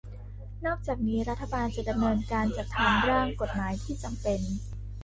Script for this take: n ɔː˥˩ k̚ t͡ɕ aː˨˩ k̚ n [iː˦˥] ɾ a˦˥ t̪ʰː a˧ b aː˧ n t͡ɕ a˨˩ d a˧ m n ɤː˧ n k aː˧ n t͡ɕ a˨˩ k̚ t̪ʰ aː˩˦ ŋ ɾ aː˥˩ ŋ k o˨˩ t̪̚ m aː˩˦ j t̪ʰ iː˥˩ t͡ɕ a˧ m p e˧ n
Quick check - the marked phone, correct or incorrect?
correct